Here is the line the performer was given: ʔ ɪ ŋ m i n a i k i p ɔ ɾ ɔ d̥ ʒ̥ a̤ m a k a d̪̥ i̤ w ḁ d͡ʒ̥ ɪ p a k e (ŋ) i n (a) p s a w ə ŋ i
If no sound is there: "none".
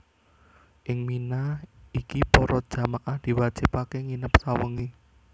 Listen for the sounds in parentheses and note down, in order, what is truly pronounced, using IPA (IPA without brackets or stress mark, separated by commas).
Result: ŋ, ə